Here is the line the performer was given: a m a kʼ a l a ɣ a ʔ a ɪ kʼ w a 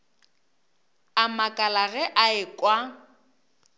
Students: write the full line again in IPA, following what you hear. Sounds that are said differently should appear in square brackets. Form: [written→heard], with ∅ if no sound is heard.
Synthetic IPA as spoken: a m a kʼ a l a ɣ [a→ɛ] ʔ a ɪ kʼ w a